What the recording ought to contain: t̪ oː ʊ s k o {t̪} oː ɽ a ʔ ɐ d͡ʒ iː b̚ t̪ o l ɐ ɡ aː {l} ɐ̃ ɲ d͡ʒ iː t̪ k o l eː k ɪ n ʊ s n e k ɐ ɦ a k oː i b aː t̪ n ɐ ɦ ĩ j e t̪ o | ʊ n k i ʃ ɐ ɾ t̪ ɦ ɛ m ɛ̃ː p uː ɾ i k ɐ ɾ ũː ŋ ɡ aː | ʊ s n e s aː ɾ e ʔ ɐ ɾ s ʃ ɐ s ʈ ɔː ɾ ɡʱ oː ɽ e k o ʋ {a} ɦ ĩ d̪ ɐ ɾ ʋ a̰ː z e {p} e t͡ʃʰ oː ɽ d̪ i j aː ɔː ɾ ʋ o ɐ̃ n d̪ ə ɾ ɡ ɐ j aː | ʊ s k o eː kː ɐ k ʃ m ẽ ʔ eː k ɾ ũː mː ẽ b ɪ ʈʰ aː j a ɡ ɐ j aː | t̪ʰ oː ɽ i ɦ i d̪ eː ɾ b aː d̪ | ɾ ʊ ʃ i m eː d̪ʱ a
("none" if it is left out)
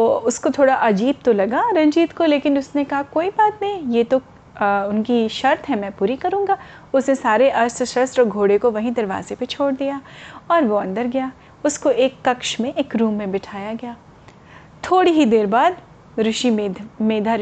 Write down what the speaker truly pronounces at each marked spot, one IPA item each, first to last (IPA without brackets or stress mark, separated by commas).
t̪ʰ, ɾ, ɐ, p